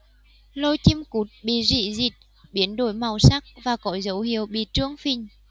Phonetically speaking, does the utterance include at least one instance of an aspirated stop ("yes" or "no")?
no